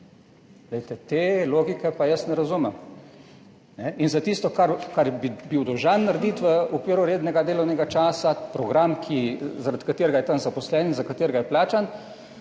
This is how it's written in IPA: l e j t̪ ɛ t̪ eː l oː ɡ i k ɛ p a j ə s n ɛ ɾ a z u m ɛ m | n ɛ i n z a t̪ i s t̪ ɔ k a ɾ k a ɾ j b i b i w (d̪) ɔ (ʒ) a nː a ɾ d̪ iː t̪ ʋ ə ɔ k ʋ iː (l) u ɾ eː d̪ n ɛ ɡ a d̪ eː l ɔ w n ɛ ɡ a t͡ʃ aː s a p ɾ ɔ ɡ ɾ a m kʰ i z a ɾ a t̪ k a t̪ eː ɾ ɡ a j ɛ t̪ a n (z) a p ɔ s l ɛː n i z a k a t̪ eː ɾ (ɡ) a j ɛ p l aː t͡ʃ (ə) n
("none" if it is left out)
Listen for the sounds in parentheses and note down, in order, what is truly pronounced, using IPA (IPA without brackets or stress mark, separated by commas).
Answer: d̪, ʒ, ɾ, z, ɡ, a